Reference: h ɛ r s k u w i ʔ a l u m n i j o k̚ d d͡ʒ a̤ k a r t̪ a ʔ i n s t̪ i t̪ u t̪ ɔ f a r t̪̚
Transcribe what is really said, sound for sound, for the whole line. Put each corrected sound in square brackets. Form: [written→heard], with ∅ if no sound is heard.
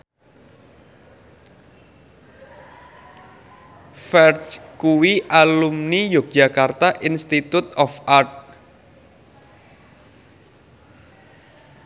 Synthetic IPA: [h→f] ɛ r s k u w i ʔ a l u m n i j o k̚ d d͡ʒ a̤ k a r t̪ a ʔ i n s t̪ i t̪ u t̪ ɔ f a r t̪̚